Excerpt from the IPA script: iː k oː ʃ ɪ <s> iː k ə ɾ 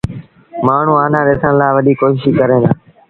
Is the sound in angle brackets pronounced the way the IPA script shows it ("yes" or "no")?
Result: no